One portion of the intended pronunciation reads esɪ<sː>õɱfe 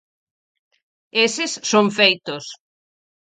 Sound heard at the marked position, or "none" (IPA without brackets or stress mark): sː